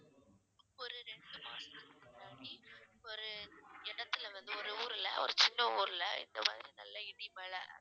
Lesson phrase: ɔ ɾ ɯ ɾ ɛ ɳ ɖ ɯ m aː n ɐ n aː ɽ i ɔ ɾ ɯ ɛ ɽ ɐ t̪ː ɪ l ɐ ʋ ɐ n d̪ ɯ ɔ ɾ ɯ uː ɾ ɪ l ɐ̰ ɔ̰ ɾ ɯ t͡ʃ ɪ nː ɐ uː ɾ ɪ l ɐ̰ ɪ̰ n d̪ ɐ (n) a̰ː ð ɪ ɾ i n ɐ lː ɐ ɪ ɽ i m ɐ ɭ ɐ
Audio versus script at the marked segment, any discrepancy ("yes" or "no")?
yes